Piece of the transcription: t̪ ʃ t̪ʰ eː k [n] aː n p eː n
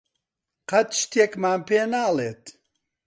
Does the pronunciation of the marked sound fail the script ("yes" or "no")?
yes